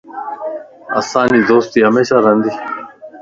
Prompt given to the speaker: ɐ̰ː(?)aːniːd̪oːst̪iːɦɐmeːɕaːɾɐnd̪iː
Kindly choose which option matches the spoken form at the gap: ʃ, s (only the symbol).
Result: s